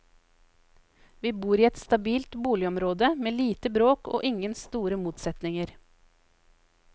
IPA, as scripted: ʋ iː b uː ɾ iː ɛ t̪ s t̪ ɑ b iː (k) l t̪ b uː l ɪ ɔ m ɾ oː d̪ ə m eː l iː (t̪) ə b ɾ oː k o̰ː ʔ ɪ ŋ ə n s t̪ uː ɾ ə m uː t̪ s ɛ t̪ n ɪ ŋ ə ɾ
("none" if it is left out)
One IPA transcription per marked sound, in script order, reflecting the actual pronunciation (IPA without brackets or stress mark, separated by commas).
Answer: none, t̪